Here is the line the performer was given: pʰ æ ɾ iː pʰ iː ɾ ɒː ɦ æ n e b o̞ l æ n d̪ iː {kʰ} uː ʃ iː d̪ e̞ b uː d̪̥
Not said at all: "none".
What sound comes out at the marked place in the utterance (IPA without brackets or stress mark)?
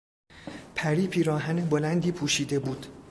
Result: pʰ